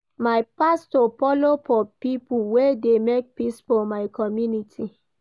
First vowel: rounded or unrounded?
unrounded